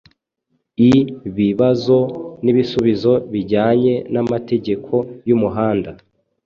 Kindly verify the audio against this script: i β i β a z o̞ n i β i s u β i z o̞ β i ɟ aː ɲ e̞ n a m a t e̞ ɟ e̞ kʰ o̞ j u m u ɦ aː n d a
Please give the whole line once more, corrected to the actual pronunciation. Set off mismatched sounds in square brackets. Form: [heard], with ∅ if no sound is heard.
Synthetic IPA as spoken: i β i β a z o̞ n i β i s u β i z o̞ β i ɟ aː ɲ e̞ n a m a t e̞ ɟ e̞ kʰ o̞ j u m u ɦ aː n d a